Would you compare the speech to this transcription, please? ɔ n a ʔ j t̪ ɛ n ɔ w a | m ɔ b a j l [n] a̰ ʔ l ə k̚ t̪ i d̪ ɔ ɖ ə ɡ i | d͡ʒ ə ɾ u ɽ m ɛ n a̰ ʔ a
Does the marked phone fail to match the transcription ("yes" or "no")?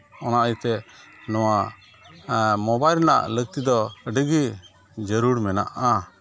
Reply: no